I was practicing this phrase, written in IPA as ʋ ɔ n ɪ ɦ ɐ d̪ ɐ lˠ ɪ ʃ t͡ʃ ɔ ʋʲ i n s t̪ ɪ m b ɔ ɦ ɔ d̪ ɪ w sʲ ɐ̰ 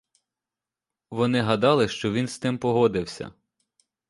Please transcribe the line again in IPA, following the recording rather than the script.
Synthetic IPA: ʋ ɔ n ɪ ɦ ɐ d̪ ɑ lˠ ɪ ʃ t͡ʃ ɔ ʋʲ i n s t̪ ɪ m p ɔ ɦ ɔ d̪ ɪ w sʲ ɐ̰

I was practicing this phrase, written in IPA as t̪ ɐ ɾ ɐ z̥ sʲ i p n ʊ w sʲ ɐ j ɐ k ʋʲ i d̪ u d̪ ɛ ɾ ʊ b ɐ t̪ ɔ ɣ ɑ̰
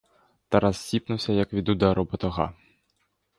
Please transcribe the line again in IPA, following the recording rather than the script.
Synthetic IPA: t̪ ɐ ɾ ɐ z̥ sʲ i p n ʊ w sʲ ɐ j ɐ k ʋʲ i d̪ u d̪ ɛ ɾ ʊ b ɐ t̪ ɔ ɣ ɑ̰

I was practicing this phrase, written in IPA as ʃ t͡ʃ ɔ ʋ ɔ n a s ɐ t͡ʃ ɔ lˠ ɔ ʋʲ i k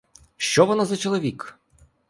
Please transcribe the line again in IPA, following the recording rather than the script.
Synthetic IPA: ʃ t͡ʃ ɔ ʋ ɔ n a z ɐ t͡ʃ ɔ lˠ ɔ ʋʲ i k

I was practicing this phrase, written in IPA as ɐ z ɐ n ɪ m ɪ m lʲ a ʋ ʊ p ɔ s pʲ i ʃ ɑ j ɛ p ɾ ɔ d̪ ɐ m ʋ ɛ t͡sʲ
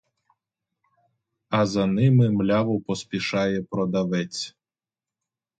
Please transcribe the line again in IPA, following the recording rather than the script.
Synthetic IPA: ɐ z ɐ n ɪ m ɪ m lʲ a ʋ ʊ p ɔ s pʲ i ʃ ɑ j ɛ p ɾ ɔ d̪ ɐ ʋ ɛ t͡sʲ

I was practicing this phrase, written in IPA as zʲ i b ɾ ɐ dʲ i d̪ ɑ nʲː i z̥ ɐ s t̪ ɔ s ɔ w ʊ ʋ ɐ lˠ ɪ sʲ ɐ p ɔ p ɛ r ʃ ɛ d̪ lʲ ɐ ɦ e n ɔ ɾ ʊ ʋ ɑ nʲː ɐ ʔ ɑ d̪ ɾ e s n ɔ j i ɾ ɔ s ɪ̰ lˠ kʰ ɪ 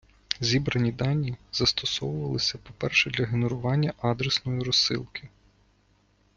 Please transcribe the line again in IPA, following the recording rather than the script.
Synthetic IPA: zʲ i b ɾ ɐ nʲ i d̪ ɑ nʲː i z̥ ɐ s t̪ ɔ s ɔ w ʊ ʋ ɐ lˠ ɪ sʲ ɐ p ɔ p ɛ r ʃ ɛ d̪ lʲ ɐ ɦ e n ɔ ɾ ʊ ʋ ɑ nʲː ɐ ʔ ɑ d̪ ɾ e s n ɔ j i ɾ ɔ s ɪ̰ lˠ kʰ ɪ

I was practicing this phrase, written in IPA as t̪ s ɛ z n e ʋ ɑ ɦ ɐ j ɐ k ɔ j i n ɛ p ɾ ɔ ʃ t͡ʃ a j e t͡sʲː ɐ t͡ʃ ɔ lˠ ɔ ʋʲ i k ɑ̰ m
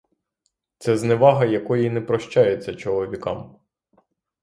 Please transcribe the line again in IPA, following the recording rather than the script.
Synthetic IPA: t̪ s ɛ z n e ʋ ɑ ɦ ɐ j ɐ k ɔ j i n ɛ p ɾ ɔ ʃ t͡ʃ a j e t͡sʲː ɐ t͡ʃ ɔ lˠ ɔ ʋʲ i k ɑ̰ m

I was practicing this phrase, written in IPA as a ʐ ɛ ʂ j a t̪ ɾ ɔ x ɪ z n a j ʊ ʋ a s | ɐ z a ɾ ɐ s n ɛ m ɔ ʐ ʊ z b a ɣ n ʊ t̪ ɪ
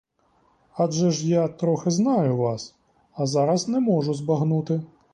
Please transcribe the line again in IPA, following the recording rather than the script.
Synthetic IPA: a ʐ ɛ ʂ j a t̪ ɾ ɔ x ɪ z n a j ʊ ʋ a s | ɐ z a ɾ ɐ s n ɛ m ɔ ʐ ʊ z b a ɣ n u t̪ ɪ

